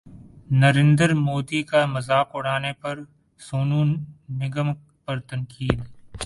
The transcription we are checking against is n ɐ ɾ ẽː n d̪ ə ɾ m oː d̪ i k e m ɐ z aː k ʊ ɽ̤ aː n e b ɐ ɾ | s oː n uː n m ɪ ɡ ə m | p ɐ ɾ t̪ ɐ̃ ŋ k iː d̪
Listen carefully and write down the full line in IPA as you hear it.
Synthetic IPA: n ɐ ɾ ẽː n d̪ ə ɾ m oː d̪ i k a m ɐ z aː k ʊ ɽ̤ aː n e p ɐ ɾ | s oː n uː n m ɪ ɡ ə m | p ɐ ɾ t̪ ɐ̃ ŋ k iː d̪